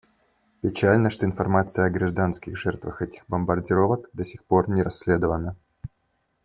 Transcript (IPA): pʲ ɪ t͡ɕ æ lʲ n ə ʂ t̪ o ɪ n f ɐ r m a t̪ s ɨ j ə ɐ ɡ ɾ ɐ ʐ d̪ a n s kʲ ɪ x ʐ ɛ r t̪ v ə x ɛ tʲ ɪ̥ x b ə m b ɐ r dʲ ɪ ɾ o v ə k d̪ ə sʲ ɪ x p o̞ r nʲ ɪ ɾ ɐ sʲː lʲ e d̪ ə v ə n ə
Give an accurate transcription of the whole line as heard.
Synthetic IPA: pʲ ɪ t͡ɕ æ lʲ n ə ʂ t̪ o ɪ n f ɐ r m a t̪ s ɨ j ə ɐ ɡ ɾ ɐ ʐ d̪ a n s kʲ ɪ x ʐ ɛ r t̪ v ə x ɛ tʲ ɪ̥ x b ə m b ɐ r dʲ ɪ ɾ o v ə k d̪ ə sʲ ɪ x p o̞ r nʲ ɪ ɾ ɐ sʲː lʲ e d̪ ə v ə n ə